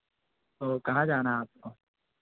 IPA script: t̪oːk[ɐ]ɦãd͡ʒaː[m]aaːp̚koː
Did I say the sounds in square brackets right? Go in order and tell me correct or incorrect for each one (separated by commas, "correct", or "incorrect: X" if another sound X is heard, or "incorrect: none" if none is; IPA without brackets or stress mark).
correct, incorrect: n